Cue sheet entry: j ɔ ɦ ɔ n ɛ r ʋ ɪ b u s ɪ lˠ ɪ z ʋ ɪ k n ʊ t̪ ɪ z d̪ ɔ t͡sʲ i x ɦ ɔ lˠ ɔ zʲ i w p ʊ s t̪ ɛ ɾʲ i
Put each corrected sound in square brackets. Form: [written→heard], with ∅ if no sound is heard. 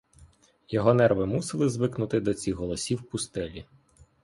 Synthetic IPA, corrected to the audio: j ɔ ɦ ɔ n ɛ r ʋ ɪ [b→m] u s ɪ lˠ ɪ z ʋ ɪ k n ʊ t̪ ɪ [z→∅] d̪ ɔ t͡sʲ i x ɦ ɔ lˠ ɔ [zʲ→sʲ] i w p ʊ s t̪ ɛ [ɾʲ→lʲ] i